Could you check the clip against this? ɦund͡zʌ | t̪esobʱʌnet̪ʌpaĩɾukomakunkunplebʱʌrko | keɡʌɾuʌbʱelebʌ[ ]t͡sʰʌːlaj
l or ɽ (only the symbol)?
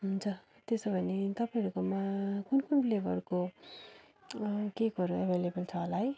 l